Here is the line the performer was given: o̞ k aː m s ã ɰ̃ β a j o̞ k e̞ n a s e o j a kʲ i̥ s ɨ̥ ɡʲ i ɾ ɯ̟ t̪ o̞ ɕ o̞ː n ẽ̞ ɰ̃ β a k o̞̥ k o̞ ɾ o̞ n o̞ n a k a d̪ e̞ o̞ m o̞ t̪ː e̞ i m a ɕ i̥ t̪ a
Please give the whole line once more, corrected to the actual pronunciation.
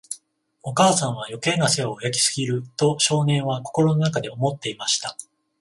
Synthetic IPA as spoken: o̞ k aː s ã ɰ̃ β a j o̞ k e̞ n a s e o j a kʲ i̥ s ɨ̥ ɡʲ i ɾ ɯ̟ t̪ o̞ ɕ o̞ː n ẽ̞ ɰ̃ β a k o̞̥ k o̞ ɾ o̞ n o̞ n a k a d̪ e̞ o̞ m o̞ t̪ː e̞ i m a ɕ i̥ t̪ a